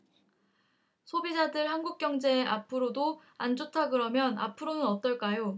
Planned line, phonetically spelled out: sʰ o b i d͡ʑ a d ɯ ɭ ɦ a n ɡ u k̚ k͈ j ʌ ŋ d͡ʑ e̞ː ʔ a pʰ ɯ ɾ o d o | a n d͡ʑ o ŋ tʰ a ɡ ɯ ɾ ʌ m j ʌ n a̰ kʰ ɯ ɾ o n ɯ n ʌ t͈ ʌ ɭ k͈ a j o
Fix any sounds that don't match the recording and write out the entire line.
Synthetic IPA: sʰ o b i d͡ʑ a d ɯ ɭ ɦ a n ɡ u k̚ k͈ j ʌ ŋ d͡ʑ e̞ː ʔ a pʰ ɯ ɾ o d o | a n d͡ʑ o tʰ a ɡ ɯ ɾ ʌ m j ʌ n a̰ pʰ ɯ ɾ o n ɯ n ʌ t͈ ʌ ɭ k͈ a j o